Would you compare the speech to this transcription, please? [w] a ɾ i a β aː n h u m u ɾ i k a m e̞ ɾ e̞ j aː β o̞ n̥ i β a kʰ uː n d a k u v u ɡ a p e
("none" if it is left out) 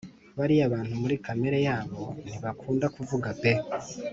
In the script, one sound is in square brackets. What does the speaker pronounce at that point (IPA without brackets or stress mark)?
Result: β